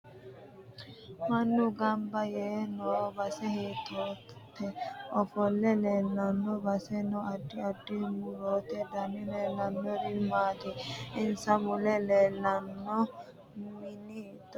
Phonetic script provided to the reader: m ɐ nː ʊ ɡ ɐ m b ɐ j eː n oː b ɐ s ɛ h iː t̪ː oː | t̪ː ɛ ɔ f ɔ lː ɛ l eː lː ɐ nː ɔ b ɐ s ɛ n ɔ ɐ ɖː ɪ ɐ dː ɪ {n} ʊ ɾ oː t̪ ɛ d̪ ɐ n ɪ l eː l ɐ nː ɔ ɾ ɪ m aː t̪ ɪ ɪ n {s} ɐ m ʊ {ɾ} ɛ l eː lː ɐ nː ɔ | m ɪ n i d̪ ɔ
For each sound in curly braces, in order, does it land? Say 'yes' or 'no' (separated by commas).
no, yes, no